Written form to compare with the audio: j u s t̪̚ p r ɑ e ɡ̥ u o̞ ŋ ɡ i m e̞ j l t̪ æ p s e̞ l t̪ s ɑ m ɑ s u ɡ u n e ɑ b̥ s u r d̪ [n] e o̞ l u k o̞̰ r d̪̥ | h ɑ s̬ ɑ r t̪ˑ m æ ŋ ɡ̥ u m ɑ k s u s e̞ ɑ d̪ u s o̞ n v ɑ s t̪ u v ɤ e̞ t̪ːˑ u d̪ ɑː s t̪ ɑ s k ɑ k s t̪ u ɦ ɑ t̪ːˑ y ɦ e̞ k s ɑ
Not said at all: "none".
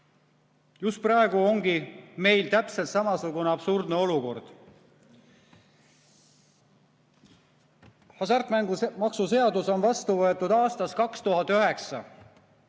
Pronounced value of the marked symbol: n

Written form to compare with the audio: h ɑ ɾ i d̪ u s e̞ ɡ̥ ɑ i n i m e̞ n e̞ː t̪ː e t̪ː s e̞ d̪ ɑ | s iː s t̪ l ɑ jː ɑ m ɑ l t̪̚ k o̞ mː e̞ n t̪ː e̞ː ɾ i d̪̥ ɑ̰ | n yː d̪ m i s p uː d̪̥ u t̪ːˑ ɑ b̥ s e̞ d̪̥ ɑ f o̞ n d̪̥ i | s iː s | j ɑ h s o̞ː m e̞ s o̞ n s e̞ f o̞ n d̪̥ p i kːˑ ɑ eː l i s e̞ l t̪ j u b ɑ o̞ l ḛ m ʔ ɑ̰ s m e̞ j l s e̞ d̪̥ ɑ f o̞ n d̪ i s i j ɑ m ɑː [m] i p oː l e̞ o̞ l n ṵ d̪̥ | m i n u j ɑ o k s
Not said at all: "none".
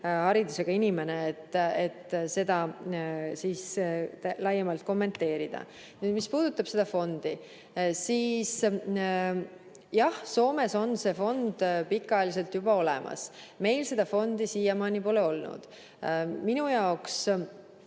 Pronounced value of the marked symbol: n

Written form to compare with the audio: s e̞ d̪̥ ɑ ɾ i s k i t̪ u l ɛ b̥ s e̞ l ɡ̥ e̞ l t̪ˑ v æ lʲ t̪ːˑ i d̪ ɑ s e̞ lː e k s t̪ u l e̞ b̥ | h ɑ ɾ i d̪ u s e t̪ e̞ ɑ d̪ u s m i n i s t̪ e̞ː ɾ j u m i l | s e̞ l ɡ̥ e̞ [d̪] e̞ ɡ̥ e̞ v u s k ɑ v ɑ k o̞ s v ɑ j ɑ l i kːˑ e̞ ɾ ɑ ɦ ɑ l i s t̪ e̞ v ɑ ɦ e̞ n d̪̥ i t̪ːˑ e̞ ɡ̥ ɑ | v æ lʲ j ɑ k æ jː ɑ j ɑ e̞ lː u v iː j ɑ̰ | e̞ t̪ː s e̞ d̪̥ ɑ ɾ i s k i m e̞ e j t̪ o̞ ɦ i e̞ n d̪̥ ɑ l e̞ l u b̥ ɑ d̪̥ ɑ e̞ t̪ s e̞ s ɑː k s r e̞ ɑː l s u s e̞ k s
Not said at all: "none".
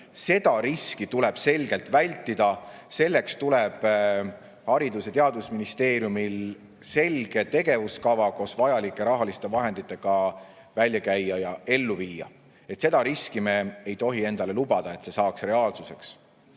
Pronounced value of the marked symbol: t̪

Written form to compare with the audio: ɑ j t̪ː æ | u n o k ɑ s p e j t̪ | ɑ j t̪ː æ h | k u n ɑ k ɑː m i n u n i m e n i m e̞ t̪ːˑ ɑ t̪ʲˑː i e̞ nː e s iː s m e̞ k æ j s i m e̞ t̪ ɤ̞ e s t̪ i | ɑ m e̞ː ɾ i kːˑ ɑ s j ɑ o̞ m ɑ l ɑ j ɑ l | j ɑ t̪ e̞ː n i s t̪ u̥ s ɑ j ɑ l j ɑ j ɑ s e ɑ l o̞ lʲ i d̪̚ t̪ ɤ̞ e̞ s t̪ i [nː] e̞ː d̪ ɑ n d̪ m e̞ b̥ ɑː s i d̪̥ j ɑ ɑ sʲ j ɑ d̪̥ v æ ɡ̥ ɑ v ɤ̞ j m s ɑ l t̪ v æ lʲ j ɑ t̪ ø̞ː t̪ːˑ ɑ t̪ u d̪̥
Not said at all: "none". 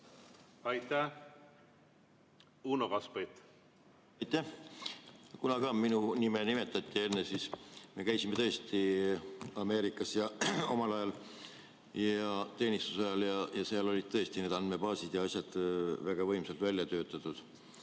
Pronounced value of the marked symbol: n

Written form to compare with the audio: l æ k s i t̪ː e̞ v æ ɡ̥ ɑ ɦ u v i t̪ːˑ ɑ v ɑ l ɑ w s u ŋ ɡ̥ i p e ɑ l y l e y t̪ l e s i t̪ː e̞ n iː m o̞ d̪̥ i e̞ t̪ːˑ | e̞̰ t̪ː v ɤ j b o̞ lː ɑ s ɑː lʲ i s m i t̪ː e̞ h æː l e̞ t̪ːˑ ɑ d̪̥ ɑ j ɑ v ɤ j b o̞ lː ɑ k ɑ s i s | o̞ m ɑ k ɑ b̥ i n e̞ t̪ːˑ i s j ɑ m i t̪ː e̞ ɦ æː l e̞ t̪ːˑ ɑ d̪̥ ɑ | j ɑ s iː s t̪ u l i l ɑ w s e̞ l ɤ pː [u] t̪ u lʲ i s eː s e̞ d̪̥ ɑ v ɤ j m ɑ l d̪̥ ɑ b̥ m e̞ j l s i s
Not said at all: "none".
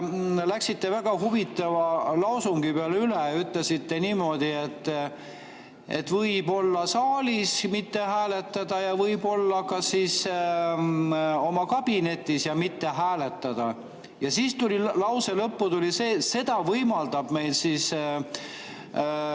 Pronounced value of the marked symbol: u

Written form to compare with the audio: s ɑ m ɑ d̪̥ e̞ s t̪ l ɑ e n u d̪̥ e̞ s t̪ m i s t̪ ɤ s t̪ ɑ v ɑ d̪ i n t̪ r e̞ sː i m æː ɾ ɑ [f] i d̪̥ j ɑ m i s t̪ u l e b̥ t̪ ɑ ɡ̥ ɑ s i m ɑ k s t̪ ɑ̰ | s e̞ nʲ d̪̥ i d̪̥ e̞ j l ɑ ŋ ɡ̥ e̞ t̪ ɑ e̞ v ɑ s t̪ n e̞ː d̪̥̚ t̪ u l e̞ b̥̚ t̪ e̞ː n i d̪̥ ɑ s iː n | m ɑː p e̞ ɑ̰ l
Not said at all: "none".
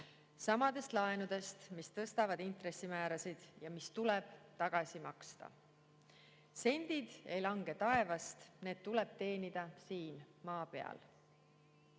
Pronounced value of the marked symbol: s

